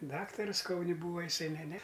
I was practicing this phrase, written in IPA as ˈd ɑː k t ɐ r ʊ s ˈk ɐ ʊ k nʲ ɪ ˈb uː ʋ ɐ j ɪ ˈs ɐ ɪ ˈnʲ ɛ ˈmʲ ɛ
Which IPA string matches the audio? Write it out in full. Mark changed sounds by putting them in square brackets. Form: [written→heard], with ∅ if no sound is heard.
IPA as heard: ˈd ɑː k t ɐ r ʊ s ˈk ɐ ʊ [k→∅] nʲ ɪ ˈb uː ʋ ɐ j ɪ ˈs ɐ ɪ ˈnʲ ɛ [ˈmʲ→ˈnʲ] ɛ